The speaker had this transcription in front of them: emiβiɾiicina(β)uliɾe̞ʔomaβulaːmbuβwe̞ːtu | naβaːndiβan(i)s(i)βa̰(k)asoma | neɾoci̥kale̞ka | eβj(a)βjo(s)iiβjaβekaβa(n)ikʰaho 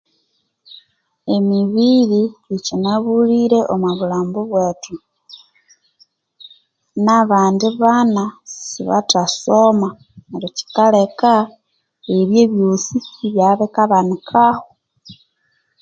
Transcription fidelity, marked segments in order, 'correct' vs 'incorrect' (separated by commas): correct, incorrect, correct, incorrect, incorrect, correct, correct